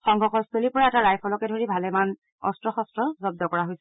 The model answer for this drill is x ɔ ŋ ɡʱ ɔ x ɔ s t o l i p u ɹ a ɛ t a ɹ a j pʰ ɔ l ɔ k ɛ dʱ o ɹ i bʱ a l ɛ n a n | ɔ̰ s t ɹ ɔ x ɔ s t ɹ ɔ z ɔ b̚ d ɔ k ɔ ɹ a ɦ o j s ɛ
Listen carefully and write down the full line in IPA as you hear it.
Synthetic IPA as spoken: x ɔ ŋ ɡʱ ɔ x ɔ s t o l i p ɔ ɹ a ɛ t a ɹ a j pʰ ɔ l ɔ k ɛ dʱ o ɹ i bʱ a l ɛ m a n | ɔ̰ s t ɹ ɔ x ɔ s t ɹ ɔ z ɔ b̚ d ɔ k ɔ ɹ a ɦ o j s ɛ